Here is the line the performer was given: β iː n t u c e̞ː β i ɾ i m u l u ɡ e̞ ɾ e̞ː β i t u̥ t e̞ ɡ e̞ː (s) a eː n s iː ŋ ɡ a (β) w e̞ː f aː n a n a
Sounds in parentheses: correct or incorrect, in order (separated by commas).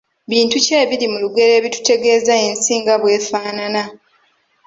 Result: incorrect, correct